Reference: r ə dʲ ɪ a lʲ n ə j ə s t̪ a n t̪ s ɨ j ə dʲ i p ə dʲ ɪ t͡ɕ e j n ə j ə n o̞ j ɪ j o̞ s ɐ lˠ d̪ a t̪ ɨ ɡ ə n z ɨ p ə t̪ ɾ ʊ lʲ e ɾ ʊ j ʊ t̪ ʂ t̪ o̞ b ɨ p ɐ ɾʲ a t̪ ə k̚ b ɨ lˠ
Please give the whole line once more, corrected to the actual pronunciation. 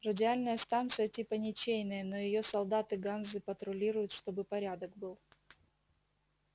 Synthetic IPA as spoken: r ə dʲ ɪ a lʲ n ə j ə s t̪ a n t̪ s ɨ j ə tʲ i p ə nʲ ɪ t͡ɕ e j n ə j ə n o̞ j ɪ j o̞ s ɐ lˠ d̪ a t̪ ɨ ɡ a n z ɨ p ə t̪ ɾ ʊ lʲ i ɾ ʊ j ʊ t̪ ʂ t̪ o̞ b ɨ p ɐ ɾʲ a d̪ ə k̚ b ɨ lˠ

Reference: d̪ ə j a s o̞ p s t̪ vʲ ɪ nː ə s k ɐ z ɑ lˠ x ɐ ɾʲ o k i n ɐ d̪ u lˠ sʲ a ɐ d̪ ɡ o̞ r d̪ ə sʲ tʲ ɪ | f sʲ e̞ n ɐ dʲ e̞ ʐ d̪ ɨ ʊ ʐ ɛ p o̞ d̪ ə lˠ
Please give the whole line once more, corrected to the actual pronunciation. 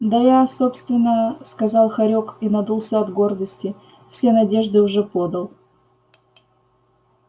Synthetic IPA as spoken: d̪ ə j a s o̞ p s t̪ vʲ ɪ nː ə s k ɐ z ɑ lˠ x ɐ ɾʲ o k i n ɐ d̪ u lˠ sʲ ə ɐ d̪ ɡ o̞ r d̪ ə sʲ tʲ ɪ | f sʲ e̞ n ɐ dʲ e̞ ʐ d̪ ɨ ʊ ʐ ɛ p o̞ d̪ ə lˠ

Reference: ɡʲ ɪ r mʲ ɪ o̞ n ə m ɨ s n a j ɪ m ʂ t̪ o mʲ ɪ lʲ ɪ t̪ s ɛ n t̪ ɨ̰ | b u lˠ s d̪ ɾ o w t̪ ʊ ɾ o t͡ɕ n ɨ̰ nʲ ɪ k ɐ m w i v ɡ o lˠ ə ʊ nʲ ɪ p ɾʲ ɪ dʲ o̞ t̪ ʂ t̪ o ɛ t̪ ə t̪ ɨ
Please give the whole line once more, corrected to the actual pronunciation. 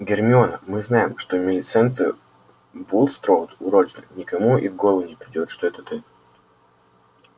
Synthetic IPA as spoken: ɡʲ ɪ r mʲ ɪ o̞ n ə m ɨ z n a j ɪ m ʂ t̪ o mʲ ɪ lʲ ɪ t̪ s ɛ n t̪ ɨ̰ | b u lˠ s t̪ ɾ o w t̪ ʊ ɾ o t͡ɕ n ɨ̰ nʲ ɪ k ɐ m u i v ɡ o lˠ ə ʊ nʲ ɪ p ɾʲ ɪ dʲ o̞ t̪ ʂ t̪ o ɛ t̪ ə t̪ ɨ

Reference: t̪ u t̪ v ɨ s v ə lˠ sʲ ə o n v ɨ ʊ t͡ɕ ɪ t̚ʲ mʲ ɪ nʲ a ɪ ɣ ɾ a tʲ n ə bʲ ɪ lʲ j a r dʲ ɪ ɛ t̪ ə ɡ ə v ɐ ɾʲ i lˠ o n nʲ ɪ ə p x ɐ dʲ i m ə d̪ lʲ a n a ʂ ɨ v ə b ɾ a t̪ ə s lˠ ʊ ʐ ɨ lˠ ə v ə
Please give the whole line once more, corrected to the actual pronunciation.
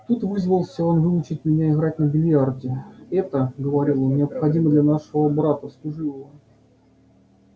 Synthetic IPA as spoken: t̪ u t̪ v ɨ z v ə lˠ sʲ ə o n v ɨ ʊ t͡ɕ ɪ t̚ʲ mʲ ɪ nʲ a ɪ ɣ ɾ a tʲ n ə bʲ ɪ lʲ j a r dʲ ɪ ɛ t̪ ə ɡ ə v ɐ ɾʲ i lˠ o n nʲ ɪ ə p x ɐ dʲ i m ə d̪ lʲ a n a ʂ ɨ v ə b ɾ a t̪ ə s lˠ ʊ ʐ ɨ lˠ ə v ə

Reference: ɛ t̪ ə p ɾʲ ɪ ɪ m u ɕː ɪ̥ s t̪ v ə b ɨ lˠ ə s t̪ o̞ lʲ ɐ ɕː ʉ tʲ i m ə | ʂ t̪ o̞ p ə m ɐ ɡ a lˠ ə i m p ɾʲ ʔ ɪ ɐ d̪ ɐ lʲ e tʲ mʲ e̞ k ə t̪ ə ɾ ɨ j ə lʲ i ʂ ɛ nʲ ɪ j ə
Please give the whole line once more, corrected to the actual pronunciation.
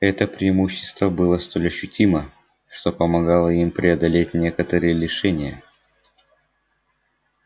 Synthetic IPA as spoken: ɛ t̪ ə p ɾʲ ɪ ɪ m u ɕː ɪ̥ s t̪ v ə b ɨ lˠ ə s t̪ o̞ lʲ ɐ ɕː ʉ tʲ i m ə | ʂ t̪ o̞ p ə m ɐ ɡ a lˠ ə i m p ɾʲ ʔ ɪ ɐ d̪ ɐ lʲ e tʲ nʲ e̞ k ə t̪ ə ɾ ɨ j ə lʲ ɪ ʂ ɛ nʲ ɪ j ə

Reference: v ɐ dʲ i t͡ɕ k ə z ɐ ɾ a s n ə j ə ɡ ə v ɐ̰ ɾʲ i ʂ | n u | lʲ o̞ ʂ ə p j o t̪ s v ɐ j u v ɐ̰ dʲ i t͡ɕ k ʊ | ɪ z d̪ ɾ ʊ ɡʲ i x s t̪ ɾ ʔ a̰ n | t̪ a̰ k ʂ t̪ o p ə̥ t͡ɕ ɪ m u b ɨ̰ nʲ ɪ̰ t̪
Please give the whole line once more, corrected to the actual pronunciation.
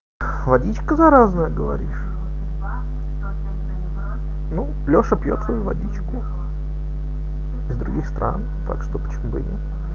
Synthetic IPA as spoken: v ɐ dʲ i t͡ɕ k ə z ɐ ɾ a z n ə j ə ɡ ə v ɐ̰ ɾʲ i ʂ | n u | lʲ o̞ ʂ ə p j o t̪ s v ɐ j u v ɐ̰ dʲ i t͡ɕ k ʊ | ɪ z d̪ ɾ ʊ ɡʲ i x s t̪ ɾ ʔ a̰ n | t̪ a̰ k ʂ t̪ o p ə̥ t͡ɕ ɪ m u b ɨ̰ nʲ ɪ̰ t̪

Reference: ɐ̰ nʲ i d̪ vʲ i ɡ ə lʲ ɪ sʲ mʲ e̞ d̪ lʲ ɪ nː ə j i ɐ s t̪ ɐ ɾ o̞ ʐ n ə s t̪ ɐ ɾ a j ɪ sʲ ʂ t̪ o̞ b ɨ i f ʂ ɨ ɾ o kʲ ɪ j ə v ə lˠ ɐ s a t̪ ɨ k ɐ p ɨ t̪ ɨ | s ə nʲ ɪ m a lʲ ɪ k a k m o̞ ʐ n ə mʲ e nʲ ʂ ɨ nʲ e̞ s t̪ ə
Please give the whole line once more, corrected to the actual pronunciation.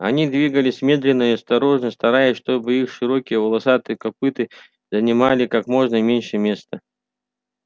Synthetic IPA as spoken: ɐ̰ nʲ i d̪ vʲ i ɡ ə lʲ ɪ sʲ mʲ e̞ d̪ lʲ ɪ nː ə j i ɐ s t̪ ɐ ɾ o̞ ʐ n ə s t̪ ɐ ɾ a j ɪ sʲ ʂ t̪ o̞ b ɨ i x ʂ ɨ ɾ o kʲ ɪ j ə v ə lˠ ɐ s a t̪ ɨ k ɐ p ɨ t̪ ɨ | z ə nʲ ɪ m a lʲ ɪ k a k m o̞ ʐ n ə mʲ e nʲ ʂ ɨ mʲ e̞ s t̪ ə

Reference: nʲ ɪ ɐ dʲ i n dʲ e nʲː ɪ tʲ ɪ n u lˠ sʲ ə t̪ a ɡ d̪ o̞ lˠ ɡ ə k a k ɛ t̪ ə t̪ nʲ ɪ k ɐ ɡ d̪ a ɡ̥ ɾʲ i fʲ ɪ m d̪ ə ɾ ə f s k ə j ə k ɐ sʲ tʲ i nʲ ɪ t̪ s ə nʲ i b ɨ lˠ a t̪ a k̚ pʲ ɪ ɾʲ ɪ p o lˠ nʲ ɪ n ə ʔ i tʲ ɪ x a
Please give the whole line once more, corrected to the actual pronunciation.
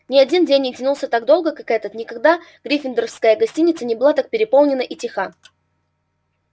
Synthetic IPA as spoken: nʲ ɪ ɐ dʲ i n dʲ e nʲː ɪ tʲ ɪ n u lˠ sʲ ə t̪ a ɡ d̪ o̞ lˠ ɡ ə k a k ɛ t̪ ə t̪ nʲ ɪ k ɐ ɡ d̪ a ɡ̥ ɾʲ i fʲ ɪ n d̪ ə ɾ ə f s k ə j ə ɡ ɐ sʲ tʲ i nʲ ɪ t̪ s ə nʲ ɪ b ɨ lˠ a t̪ a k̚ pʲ ɪ ɾʲ ɪ p o lˠ nʲ ɪ n ə ʔ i tʲ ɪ x a

